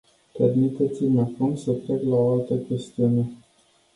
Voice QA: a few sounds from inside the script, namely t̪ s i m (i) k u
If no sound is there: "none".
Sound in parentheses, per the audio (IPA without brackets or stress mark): a